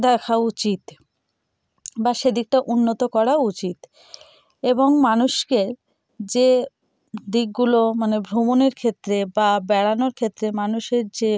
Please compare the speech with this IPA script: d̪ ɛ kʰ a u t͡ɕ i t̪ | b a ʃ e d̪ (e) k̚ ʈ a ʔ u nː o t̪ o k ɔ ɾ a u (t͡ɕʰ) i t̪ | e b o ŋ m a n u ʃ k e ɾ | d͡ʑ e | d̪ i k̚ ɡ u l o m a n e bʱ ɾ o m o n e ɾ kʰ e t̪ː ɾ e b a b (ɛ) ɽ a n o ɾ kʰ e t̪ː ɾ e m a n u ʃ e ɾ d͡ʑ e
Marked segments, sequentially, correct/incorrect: incorrect, incorrect, correct

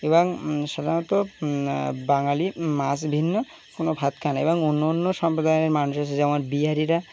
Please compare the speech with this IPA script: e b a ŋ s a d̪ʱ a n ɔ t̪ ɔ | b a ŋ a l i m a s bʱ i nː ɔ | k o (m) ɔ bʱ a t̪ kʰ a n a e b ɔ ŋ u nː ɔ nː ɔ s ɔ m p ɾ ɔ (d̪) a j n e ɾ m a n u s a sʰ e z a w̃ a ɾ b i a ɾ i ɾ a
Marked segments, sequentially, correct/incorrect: incorrect, correct

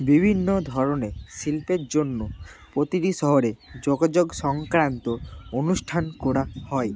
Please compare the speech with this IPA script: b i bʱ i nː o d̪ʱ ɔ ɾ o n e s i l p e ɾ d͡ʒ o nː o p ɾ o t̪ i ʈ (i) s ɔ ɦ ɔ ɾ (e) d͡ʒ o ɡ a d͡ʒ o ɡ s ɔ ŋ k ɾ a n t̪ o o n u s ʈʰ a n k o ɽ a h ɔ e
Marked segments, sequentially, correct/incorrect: correct, correct

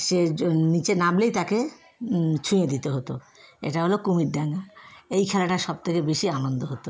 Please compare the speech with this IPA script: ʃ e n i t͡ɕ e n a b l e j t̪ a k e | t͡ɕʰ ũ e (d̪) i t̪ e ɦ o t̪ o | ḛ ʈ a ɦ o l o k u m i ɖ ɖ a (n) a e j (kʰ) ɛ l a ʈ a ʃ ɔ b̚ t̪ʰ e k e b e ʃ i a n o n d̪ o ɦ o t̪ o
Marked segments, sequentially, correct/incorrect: correct, incorrect, correct

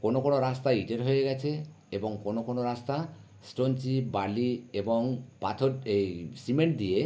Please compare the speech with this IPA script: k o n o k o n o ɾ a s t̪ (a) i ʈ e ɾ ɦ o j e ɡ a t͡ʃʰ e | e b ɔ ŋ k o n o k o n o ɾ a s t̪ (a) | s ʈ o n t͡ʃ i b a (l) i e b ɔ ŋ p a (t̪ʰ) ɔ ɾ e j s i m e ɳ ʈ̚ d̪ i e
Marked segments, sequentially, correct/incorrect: correct, correct, correct, correct

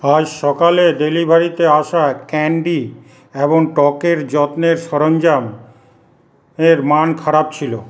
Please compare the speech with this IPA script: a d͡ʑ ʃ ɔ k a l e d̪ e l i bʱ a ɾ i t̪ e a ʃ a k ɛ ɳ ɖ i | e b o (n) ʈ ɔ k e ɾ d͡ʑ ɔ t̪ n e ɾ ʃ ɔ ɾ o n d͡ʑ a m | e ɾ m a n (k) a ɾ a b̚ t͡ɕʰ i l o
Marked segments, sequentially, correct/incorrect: incorrect, incorrect

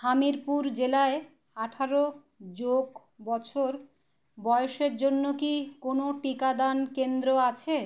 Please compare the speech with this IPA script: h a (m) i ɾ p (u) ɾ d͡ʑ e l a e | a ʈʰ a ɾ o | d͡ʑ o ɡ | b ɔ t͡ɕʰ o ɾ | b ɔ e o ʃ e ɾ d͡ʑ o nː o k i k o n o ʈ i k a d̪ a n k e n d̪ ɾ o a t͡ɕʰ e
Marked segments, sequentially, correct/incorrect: correct, correct

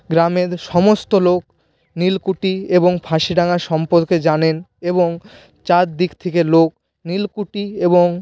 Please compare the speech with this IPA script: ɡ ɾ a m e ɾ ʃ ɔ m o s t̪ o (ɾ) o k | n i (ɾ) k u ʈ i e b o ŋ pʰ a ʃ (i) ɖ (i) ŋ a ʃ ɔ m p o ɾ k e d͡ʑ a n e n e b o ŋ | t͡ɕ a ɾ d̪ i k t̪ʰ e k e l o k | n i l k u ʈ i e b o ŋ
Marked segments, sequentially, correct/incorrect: incorrect, incorrect, correct, incorrect

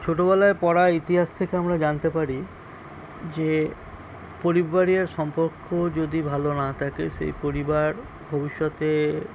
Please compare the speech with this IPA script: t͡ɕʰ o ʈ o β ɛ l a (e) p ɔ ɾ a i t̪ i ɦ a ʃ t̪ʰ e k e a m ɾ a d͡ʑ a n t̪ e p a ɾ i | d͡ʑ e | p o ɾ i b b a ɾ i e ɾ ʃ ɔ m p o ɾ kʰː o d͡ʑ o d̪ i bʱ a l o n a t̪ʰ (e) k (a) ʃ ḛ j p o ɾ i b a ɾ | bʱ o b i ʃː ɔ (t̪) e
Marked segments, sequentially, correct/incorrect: correct, incorrect, incorrect, correct

